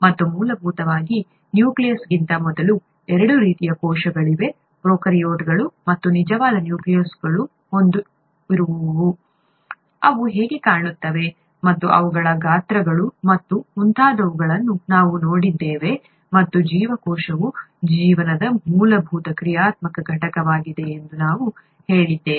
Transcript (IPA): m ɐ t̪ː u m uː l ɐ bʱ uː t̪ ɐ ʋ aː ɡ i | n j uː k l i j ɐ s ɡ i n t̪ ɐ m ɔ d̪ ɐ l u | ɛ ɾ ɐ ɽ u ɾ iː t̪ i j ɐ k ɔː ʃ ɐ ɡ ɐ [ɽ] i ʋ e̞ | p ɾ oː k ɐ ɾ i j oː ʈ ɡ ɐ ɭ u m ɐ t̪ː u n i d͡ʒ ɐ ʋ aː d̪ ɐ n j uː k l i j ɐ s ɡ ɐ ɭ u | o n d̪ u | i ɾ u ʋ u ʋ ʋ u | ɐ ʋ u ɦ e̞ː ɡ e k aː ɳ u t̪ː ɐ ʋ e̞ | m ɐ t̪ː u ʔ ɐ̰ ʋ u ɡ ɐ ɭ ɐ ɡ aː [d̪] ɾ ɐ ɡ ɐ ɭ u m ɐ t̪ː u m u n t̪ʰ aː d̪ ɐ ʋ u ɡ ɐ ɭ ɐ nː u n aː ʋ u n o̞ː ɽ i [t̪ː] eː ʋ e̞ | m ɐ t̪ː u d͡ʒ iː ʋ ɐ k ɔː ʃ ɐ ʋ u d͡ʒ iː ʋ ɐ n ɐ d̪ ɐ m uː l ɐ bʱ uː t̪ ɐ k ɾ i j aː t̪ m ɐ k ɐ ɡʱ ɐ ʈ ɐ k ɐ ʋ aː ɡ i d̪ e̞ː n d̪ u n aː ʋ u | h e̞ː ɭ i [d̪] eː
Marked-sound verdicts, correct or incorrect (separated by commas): incorrect, incorrect, incorrect, incorrect